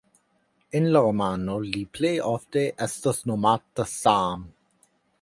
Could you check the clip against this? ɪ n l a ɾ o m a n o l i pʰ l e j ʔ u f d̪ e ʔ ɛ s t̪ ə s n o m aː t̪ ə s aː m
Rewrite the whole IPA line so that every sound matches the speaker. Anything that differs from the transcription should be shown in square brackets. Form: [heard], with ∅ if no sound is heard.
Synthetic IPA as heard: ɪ n l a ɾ o m a n o l i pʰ l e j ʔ [ɔ] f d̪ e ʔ ɛ s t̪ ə s n o m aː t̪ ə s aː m

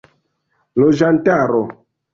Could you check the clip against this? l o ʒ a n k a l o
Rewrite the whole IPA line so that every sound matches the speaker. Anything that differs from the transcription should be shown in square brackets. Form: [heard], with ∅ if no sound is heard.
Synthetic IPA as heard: l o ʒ a n [t] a [ɾ] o

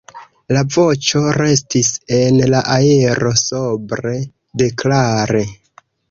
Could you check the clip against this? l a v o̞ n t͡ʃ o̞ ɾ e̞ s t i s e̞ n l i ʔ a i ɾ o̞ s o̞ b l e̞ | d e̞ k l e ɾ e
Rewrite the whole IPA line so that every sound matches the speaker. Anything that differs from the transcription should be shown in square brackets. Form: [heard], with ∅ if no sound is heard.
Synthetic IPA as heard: l a v o̞ [∅] t͡ʃ o̞ ɾ e̞ s t i s e̞ n l [a] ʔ a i ɾ o̞ s o̞ b [ɾ] e̞ | d e̞ k l [a] ɾ e

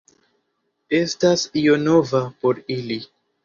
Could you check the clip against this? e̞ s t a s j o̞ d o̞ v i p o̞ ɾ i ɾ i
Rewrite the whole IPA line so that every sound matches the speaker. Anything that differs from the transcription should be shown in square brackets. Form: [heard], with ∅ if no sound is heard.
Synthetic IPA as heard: e̞ s t a s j o̞ [n] o̞ v [a] p o̞ ɾ i [l] i

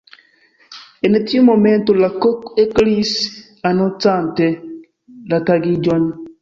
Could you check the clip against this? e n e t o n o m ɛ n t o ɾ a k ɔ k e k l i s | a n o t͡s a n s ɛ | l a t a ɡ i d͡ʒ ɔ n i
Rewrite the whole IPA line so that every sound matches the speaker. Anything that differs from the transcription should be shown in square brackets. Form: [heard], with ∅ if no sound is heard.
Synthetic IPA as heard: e n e t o [m] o m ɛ n t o [l] a k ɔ k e k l i s | a n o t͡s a n [t] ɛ | l a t a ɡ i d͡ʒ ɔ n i

